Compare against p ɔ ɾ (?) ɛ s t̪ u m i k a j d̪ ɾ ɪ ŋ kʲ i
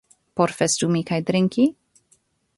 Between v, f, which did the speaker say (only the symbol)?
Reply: f